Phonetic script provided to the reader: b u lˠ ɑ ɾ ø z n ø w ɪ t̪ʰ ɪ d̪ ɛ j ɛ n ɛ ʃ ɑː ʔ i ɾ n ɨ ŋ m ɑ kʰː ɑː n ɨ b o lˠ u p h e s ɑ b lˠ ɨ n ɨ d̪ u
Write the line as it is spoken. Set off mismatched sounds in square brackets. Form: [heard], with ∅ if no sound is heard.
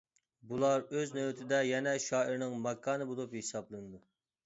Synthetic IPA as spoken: b u lˠ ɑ ɾ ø z n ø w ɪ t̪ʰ ɪ d̪ ɛ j ɛ n ɛ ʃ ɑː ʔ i ɾ n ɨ ŋ m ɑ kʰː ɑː n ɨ b o lˠ u p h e s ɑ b lˠ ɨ n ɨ d̪ u